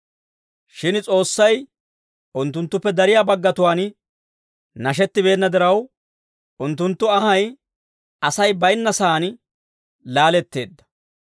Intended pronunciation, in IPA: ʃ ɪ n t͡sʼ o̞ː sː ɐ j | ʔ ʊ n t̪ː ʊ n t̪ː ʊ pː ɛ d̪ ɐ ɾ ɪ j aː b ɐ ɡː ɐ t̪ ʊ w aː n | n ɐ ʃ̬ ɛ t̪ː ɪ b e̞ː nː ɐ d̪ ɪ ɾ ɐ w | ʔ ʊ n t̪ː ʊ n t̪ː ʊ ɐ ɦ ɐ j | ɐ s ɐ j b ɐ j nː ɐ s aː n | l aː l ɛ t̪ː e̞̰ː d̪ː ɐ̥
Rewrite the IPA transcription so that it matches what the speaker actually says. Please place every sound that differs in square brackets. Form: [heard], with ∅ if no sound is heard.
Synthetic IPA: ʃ ɪ n t͡sʼ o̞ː sː ɐ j | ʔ ʊ n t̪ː ʊ n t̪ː ʊ pː ɛ d̪ ɐ ɾ ɪ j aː b ɐ ɡː ɐ t̪ ʊ w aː n | n ɐ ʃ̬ ɛ t̪ː ɪ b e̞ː nː ɐ d̪ ɪ ɾ ɐ w | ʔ ʊ n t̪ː ʊ n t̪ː ʊ ɐ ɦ ɐ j | ɐ s ɐ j b ɐ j nː ɐ s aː n | l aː l ɛ t̪ː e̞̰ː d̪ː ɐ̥